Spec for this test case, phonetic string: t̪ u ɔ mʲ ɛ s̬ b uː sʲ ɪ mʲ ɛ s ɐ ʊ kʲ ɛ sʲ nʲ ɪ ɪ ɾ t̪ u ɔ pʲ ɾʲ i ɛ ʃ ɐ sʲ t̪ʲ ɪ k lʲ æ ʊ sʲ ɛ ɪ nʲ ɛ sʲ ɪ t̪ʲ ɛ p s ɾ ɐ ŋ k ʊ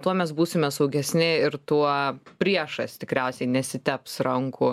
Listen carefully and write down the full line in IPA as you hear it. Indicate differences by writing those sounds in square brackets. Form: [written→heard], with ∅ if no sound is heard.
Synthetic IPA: t̪ u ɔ mʲ ɛ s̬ b uː sʲ ɪ mʲ ɛ s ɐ ʊ [kʲ→ɡʲ] ɛ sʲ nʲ ɪ ɪ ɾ t̪ u ɔ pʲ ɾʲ i ɛ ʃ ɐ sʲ t̪ʲ ɪ k [lʲ→ɾʲ] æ ʊ sʲ ɛ ɪ nʲ ɛ sʲ ɪ t̪ʲ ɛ p s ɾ ɐ ŋ k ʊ